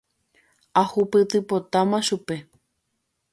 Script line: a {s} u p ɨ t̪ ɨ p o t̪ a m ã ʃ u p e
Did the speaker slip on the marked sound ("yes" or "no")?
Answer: yes